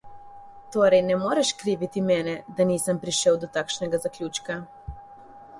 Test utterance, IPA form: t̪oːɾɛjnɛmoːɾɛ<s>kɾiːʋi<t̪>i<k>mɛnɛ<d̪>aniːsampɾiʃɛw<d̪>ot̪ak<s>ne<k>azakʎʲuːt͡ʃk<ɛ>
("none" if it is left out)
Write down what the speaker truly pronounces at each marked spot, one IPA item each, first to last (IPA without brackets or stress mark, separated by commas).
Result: ʃ, t̪, none, d̪, d̪, ʃ, ɡ, a